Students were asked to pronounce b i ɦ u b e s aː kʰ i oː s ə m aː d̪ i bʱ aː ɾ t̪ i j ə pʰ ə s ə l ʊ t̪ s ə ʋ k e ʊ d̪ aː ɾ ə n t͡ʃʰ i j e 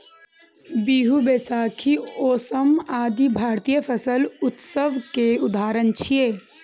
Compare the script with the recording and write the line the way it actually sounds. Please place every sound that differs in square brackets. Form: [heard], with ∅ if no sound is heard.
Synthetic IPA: b i ɦ u b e s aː kʰ i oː s ə m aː d̪ i bʱ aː ɾ t̪ i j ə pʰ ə s ə l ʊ t̪ s ə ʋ k e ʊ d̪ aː ɾ ə n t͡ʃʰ i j e